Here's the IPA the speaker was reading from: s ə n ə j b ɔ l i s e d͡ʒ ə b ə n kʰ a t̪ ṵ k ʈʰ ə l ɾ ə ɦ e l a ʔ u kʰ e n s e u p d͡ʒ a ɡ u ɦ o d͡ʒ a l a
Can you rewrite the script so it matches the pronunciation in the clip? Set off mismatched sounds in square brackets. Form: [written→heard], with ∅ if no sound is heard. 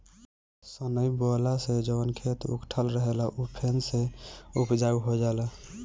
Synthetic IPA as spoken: s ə n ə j b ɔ l [i→a] s e d͡ʒ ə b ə n kʰ [a→e] t̪ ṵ k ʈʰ ə l ɾ ə ɦ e l a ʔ u [kʰ→pʰ] e n s e u p d͡ʒ a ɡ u ɦ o d͡ʒ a l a